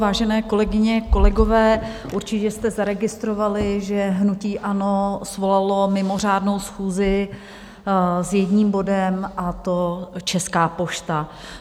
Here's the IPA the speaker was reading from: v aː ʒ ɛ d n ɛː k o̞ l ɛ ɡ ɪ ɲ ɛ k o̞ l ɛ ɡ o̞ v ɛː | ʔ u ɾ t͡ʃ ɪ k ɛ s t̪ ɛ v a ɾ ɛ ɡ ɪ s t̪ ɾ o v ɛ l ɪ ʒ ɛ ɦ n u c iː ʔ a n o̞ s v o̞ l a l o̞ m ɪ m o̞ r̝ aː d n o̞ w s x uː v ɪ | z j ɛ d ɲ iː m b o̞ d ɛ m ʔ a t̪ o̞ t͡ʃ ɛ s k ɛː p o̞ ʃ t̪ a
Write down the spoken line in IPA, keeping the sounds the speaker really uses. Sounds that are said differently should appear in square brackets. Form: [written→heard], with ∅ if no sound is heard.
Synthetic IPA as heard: v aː ʒ ɛ [d→∅] n ɛː k o̞ l ɛ ɡ ɪ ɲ ɛ k o̞ l ɛ ɡ o̞ v ɛː | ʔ u ɾ t͡ʃ ɪ [k→c] ɛ s t̪ ɛ [v→z] a ɾ ɛ ɡ ɪ s t̪ ɾ o v [ɛ→a] l ɪ ʒ ɛ ɦ n u c iː ʔ a n o̞ s v o̞ l a l o̞ m ɪ m o̞ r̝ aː d n o̞ w s x uː [v→z] ɪ | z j ɛ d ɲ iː m b o̞ d ɛ m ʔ a t̪ o̞ t͡ʃ ɛ s k [ɛː→aː] p o̞ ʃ t̪ a